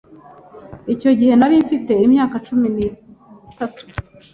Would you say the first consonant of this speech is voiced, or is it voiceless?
voiceless